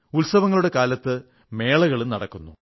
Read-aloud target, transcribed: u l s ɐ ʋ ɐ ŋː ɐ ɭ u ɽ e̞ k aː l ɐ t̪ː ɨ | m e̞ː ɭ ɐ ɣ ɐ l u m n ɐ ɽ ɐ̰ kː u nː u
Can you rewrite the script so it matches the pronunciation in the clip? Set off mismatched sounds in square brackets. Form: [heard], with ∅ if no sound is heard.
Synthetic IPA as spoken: u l s ɐ ʋ ɐ ŋː ɐ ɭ u ɽ e̞ k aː l ɐ t̪ː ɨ | m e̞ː ɭ ɐ ɣ ɐ [ɭ] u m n ɐ ɽ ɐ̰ kː u nː u